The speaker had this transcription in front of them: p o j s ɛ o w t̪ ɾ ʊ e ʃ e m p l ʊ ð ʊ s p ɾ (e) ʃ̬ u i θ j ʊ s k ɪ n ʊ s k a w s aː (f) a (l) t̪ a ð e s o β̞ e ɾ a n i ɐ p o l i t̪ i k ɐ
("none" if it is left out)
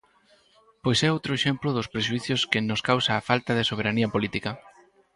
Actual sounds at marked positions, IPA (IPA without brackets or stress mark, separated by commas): e, f, l